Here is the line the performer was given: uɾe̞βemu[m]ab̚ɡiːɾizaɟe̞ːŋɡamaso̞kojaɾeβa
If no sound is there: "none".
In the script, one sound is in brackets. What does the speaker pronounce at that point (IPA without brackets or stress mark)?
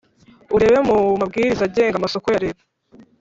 m